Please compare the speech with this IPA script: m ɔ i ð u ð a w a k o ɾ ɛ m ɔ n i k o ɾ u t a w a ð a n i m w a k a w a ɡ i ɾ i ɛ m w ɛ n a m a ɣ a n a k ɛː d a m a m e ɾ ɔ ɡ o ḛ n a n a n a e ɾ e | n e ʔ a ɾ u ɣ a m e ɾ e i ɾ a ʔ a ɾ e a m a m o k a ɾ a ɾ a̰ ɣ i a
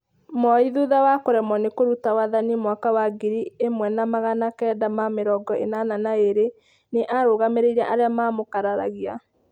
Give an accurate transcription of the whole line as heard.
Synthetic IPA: m ɔ i ð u ð a w a k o ɾ ɛ m ɔ n e k o ɾ u t a w a ð a n i m w a k a w a ɡ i ɾ i e m w ɛ n a m a ɣ a n a k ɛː d a m a m e ɾ ɔ ɡ ɔ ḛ n a n a n a e ɾ e | n e ʔ a ɾ o ɣ a m e ɾ e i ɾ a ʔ a ɾ e a m a m o k a ɾ a ɾ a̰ ɣ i a